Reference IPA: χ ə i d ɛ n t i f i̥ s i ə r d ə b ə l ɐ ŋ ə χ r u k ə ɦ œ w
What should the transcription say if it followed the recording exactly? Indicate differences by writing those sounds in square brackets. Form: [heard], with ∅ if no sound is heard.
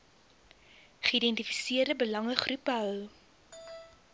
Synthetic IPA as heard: χ ə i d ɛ n t i f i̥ s i ə r d ə b ə l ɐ ŋ ə χ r u [p] ə ɦ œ w